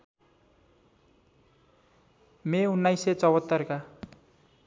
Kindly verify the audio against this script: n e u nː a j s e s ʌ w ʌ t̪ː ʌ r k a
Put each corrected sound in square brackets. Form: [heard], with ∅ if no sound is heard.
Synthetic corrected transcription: [m] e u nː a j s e [t͡s] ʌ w ʌ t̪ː ʌ r k a